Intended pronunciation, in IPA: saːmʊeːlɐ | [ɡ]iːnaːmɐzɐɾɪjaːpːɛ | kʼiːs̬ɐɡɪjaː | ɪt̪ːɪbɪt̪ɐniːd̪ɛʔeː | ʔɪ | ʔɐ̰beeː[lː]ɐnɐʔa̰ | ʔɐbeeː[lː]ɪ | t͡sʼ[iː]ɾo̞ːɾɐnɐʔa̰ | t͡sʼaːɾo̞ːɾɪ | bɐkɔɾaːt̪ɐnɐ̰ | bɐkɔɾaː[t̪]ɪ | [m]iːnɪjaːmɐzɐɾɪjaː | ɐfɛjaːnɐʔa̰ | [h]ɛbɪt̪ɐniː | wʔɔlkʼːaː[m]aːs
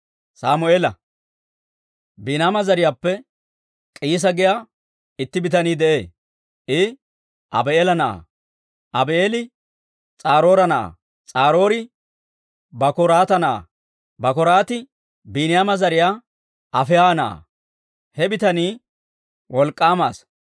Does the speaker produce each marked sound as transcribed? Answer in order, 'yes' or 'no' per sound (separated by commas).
no, no, no, no, yes, no, yes, yes